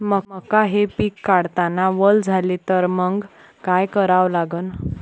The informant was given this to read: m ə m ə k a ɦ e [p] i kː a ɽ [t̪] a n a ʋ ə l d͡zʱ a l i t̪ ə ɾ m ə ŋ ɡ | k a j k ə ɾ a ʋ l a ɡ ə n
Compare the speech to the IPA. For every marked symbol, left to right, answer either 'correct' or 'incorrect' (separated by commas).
correct, correct